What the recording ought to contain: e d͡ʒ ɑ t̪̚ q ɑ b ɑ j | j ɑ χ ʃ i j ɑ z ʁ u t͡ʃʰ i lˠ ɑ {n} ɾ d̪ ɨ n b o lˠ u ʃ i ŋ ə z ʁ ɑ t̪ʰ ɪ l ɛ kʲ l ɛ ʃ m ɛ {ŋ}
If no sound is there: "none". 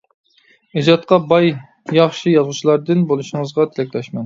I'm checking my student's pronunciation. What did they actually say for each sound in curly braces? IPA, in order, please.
none, n

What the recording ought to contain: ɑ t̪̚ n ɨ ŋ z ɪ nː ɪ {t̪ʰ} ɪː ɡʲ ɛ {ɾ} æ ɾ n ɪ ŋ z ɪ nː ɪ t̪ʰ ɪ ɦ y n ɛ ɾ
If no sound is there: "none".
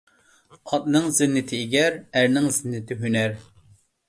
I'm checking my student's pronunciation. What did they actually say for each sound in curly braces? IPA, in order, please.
t̪ʰ, ɾ

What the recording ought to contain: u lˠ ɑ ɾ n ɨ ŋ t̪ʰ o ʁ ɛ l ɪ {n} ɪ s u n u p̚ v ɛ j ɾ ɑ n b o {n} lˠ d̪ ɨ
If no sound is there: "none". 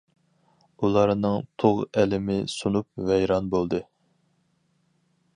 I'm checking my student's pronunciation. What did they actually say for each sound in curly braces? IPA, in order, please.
m, none

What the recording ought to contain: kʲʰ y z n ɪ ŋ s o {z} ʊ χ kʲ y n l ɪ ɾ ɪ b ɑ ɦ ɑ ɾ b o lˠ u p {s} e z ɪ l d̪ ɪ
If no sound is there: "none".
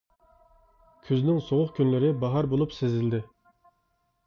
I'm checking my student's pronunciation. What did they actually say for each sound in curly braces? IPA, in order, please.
ʁ, s

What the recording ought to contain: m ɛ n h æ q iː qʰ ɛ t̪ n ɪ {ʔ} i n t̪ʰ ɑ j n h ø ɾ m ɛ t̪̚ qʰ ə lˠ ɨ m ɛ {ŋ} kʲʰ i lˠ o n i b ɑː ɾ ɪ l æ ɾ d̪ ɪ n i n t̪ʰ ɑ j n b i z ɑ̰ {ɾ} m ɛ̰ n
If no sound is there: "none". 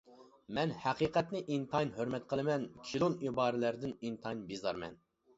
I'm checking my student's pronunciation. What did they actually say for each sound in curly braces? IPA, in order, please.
ʔ, n, ɾ

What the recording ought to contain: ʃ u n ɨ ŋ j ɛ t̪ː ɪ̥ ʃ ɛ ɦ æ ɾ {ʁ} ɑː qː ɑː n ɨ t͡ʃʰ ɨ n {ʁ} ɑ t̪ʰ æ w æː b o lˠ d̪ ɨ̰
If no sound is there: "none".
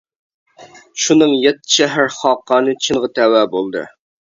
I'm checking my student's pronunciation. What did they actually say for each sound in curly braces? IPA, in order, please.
χ, ʁ

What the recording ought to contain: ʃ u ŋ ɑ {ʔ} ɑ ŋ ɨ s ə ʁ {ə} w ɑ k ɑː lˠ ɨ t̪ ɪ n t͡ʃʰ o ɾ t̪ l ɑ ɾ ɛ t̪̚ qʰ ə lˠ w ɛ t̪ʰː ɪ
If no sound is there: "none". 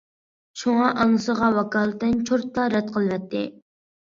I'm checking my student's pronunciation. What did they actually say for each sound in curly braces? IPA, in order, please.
ʔ, ɑ

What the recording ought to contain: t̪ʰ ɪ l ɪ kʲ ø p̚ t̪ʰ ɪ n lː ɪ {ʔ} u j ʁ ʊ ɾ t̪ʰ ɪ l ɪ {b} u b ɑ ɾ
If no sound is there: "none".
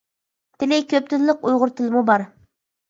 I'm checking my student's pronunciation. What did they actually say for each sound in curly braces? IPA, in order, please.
q, m

